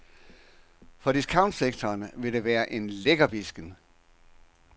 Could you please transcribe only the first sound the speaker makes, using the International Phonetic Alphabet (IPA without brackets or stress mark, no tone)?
f